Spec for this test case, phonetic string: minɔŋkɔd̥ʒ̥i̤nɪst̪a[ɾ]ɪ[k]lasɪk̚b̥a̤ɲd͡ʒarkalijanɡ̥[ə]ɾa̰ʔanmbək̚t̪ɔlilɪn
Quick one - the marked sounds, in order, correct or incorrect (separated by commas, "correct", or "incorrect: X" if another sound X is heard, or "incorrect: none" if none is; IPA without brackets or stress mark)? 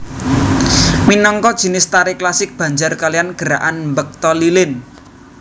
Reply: correct, correct, correct